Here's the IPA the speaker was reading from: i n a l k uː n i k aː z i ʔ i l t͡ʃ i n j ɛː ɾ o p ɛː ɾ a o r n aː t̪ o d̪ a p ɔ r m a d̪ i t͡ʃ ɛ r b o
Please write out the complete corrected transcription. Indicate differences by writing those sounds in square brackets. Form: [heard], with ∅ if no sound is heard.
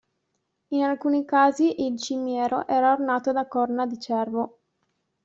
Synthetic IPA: i n a l k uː n i k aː z i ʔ i l t͡ʃ i [m] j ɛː ɾ o [ʔ] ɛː ɾ a o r n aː t̪ o d̪ a [k] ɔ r [n] a d̪ i t͡ʃ ɛ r [v] o